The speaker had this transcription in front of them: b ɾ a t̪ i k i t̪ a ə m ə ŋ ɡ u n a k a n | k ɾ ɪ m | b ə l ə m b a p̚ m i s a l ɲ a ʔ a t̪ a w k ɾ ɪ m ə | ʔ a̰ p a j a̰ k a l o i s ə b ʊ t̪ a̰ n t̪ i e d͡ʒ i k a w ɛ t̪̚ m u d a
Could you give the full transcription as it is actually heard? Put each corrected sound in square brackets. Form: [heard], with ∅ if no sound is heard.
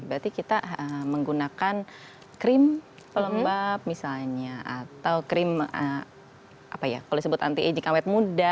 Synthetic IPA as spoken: b ɾ a t̪ i k i t̪ a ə m ə ŋ ɡ u n a k a n | k ɾ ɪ m | [p] ə l ə m b a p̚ m i s a l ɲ a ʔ a t̪ a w k ɾ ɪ m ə | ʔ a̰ p a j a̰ k a l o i s ə b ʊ t̪ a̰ n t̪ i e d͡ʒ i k a w ɛ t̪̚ m u d a